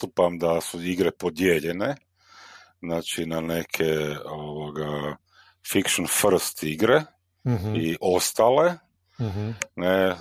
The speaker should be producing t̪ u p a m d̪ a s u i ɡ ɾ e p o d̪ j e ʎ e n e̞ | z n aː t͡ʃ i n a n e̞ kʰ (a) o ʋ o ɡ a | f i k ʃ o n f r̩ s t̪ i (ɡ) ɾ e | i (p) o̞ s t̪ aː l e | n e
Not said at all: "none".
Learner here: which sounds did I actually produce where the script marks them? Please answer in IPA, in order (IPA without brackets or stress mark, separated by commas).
e, ɡ, ʔ